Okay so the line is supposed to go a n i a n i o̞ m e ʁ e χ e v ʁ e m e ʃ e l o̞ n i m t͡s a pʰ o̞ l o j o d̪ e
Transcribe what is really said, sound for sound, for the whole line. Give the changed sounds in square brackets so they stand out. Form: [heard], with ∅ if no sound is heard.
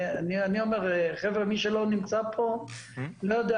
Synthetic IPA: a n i a n i o̞ m e ʁ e χ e v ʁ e m [i] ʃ e l o̞ n i m t͡s a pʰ o̞ l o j o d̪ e